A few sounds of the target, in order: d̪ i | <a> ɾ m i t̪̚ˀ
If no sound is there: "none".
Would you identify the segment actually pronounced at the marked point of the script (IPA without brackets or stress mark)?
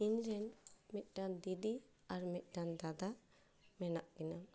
a